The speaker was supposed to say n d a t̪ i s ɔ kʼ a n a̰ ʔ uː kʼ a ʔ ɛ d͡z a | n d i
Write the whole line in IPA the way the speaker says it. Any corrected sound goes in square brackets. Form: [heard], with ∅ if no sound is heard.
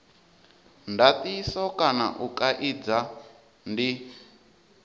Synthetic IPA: n d a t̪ i s ɔ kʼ a n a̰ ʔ [u] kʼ a ʔ [i] d͡z a | n d i